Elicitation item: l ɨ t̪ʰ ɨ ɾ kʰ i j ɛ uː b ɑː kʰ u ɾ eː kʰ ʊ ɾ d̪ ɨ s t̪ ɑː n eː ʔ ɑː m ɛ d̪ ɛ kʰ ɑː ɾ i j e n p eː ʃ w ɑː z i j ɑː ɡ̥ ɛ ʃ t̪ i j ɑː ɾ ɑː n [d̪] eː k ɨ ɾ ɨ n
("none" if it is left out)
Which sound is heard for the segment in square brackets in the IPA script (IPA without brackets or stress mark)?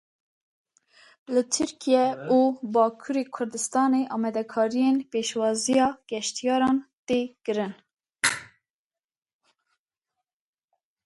t̪